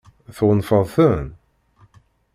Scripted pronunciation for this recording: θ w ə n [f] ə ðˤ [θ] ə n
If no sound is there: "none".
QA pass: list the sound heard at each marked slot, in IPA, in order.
f, θ

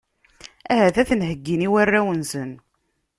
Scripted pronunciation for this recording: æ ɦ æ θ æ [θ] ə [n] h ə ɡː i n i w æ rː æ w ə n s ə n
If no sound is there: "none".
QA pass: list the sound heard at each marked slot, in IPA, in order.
θ, n

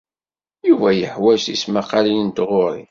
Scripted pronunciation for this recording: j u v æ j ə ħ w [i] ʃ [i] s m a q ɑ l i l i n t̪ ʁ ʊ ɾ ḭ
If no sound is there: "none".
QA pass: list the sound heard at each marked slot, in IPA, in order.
æ, i

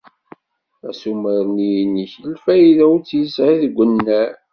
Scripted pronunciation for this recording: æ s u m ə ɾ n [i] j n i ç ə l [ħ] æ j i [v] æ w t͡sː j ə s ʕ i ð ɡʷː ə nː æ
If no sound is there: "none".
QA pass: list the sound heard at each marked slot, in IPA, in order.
i, f, ð

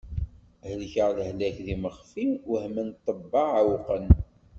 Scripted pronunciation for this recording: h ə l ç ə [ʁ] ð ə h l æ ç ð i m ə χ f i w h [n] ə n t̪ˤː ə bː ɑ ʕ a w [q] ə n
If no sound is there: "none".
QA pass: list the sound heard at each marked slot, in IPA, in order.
ʁ, m, q

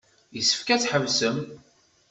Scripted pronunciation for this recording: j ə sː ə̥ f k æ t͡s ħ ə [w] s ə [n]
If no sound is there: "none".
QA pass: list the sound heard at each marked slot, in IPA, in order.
v, m

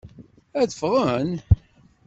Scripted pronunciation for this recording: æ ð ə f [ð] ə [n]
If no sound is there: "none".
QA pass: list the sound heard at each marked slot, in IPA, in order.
ʁ, n

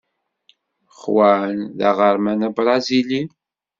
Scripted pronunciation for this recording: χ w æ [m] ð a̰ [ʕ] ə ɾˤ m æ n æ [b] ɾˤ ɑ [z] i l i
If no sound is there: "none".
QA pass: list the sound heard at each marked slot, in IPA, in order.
n, ʁ, b, z

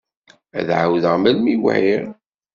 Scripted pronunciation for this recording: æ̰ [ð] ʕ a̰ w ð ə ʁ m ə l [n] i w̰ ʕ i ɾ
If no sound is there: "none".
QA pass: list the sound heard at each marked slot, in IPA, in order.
ð, m

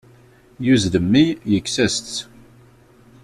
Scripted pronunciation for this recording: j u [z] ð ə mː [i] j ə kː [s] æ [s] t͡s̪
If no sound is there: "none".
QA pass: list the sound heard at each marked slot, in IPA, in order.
z, i, s, s

